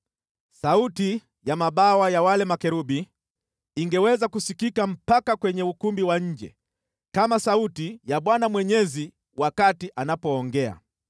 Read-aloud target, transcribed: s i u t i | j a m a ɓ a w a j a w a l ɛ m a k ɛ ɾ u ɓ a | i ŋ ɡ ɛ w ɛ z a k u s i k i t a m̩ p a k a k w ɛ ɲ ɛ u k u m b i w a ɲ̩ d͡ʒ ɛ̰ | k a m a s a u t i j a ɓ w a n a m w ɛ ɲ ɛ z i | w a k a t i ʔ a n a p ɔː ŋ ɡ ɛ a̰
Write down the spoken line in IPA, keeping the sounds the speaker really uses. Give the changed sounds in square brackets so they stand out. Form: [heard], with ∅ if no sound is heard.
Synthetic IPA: s [a] u t i | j a m a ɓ a w a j a w a l ɛ m a k ɛ ɾ u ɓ [i] | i ŋ ɡ ɛ w ɛ z a k u s i k i [k] a m̩ p a k a k w ɛ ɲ ɛ u k u m b i w a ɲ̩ d͡ʒ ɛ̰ | k a m a s a u t i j a ɓ w a n a m w ɛ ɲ ɛ z i | w a k a t i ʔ a n a p ɔː ŋ ɡ ɛ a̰